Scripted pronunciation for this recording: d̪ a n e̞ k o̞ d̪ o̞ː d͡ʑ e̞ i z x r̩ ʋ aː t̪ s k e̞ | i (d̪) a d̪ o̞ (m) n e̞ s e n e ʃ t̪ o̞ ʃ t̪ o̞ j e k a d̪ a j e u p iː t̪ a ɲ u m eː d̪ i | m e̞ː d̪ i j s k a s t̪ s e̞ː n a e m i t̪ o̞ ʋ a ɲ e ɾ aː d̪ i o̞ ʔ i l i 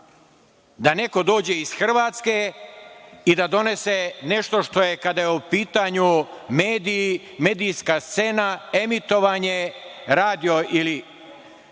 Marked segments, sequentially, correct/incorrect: correct, incorrect

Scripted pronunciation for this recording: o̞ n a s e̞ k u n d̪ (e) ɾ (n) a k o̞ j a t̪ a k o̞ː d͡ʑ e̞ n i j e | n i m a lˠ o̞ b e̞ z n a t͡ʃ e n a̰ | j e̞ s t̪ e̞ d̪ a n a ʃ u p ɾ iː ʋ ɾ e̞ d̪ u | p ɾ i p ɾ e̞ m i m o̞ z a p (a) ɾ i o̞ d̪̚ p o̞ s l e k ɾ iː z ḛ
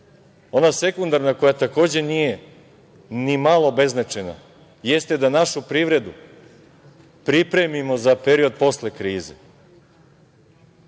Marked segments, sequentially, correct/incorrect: incorrect, correct, incorrect

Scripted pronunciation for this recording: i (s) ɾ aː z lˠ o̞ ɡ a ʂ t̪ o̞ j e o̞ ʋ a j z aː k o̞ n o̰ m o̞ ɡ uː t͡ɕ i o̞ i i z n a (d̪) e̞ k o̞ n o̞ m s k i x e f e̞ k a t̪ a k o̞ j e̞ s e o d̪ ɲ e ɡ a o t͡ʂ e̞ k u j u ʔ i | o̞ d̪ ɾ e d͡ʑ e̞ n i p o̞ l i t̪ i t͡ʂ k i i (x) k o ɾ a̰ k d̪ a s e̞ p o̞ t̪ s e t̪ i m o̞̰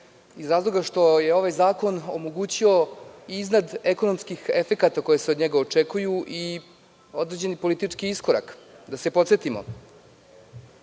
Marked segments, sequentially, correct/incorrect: incorrect, correct, incorrect

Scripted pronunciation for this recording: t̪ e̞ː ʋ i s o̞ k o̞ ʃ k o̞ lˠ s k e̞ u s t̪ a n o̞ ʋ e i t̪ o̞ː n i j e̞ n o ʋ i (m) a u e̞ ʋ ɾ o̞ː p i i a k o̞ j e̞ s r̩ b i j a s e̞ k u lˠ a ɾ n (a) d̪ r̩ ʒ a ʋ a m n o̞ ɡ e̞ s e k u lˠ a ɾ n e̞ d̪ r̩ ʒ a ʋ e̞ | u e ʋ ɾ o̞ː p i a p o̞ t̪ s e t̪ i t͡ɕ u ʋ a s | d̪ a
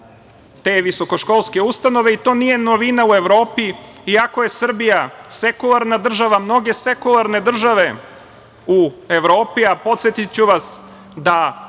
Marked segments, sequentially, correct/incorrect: incorrect, correct

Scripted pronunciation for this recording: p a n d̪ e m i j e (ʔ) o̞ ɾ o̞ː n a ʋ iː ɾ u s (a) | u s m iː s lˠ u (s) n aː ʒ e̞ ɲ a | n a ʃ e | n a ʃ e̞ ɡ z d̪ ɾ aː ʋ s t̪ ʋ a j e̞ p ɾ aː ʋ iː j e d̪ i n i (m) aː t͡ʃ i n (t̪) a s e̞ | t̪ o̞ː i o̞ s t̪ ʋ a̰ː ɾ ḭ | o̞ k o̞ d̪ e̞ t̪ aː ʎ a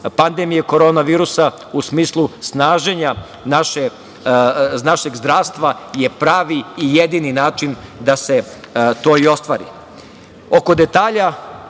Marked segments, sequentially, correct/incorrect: incorrect, correct, correct, incorrect, incorrect

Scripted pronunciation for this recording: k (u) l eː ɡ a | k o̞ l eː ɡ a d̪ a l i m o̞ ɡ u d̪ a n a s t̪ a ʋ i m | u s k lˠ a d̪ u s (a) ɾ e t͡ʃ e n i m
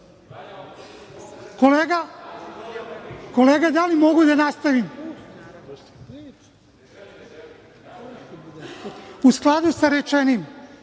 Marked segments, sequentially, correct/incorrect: incorrect, correct

